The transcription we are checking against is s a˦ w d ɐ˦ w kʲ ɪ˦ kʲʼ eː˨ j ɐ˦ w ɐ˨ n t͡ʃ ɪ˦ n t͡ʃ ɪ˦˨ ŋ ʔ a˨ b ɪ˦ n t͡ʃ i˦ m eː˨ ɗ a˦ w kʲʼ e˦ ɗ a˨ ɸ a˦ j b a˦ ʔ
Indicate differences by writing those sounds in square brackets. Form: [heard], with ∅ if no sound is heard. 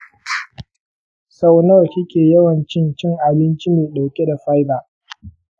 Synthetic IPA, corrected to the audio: s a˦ w [n] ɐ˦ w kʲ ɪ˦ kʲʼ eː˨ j ɐ˦ w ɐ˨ n t͡ʃ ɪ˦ n t͡ʃ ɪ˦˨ ŋ ʔ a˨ b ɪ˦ n t͡ʃ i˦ m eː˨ ɗ [a˨] w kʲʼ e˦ [d] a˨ ɸ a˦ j b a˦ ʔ